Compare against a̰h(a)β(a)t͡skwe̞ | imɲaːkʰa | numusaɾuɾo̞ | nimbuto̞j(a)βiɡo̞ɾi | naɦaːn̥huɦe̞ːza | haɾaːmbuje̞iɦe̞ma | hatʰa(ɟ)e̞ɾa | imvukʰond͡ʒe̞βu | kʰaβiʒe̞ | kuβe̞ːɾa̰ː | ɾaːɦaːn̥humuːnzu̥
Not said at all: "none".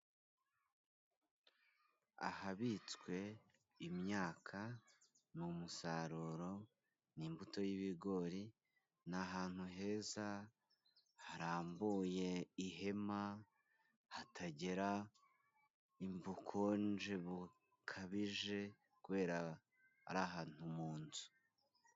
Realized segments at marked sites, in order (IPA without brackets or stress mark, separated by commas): a, i, i, ɟ